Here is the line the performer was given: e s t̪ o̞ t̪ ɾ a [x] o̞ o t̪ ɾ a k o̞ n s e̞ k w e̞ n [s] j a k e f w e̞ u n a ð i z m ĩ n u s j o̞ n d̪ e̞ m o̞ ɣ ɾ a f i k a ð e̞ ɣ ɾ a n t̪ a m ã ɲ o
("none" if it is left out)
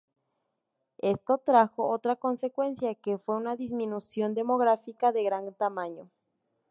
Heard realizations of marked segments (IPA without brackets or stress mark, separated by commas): x, s